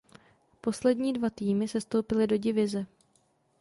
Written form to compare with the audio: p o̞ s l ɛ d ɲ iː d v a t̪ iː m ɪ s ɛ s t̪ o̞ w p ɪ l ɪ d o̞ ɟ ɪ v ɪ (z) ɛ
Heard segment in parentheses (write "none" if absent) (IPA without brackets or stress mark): z